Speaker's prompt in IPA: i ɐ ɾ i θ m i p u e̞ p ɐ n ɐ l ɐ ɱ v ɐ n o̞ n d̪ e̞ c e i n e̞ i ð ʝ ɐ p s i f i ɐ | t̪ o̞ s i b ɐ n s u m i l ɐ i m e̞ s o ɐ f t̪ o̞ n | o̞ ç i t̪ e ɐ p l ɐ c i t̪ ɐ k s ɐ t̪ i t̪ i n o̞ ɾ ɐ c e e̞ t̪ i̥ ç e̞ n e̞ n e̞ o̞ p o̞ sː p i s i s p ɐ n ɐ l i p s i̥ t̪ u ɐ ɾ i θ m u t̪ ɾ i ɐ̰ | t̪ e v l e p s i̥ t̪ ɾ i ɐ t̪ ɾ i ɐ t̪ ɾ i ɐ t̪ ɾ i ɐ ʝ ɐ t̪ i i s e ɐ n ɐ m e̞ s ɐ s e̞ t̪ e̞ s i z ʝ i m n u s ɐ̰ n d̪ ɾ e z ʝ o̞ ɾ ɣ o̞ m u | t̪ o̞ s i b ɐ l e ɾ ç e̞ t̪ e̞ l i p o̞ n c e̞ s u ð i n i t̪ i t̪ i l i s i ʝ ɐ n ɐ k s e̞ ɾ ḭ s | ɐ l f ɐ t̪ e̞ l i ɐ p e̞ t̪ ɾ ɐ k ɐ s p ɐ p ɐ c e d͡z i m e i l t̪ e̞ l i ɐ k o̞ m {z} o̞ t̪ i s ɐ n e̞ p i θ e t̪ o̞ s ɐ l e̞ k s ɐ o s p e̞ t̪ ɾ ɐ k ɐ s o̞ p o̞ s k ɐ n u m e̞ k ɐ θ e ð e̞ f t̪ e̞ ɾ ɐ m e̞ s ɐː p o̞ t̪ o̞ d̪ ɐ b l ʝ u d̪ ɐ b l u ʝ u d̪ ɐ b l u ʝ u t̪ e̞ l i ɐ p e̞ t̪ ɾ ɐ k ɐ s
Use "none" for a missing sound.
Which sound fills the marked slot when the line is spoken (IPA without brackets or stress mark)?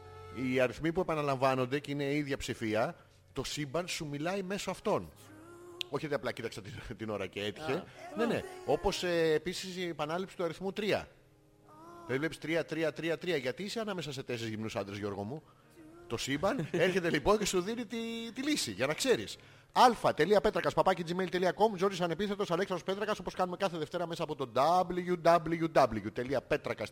z